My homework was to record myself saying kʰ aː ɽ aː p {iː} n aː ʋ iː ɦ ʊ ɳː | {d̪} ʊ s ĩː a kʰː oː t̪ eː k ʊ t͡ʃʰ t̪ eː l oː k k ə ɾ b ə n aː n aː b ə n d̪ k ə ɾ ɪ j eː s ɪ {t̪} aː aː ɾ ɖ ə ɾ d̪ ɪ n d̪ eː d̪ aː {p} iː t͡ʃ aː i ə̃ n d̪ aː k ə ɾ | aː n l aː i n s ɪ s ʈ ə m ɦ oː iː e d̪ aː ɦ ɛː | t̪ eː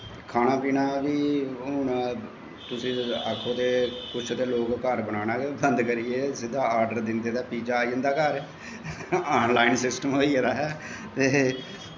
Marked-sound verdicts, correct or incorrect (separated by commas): correct, incorrect, incorrect, correct